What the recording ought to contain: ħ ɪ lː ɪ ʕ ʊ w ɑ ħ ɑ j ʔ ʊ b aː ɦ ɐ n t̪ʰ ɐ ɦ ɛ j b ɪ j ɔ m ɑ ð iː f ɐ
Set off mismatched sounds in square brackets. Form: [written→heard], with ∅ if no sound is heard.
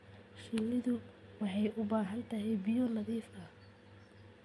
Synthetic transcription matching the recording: [ħ→ʃ] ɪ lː ɪ [ʕ→ð] ʊ w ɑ ħ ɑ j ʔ ʊ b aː ɦ ɐ n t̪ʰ ɐ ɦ ɛ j b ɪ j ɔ [m→n] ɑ ð iː f ɐ